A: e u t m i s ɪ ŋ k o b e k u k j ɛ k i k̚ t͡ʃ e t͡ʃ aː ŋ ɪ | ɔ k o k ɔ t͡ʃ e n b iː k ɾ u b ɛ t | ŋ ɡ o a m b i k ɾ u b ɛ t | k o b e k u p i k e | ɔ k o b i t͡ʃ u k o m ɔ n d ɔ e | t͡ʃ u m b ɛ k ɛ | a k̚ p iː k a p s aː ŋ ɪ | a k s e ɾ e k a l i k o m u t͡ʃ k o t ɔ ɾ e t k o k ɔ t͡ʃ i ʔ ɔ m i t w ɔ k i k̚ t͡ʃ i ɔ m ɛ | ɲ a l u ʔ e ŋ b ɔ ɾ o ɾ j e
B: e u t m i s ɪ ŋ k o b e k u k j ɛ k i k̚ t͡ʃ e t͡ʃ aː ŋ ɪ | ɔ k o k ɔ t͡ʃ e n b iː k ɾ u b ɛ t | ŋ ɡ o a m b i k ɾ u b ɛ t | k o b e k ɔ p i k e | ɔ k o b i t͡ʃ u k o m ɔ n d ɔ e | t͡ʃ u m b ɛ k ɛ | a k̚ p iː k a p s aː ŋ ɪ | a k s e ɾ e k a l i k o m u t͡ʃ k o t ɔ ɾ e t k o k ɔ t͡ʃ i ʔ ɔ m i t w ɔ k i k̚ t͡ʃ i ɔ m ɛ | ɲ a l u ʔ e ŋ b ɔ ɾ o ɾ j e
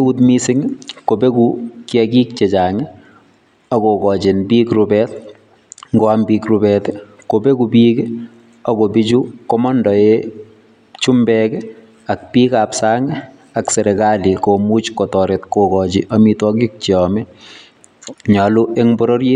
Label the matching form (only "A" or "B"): A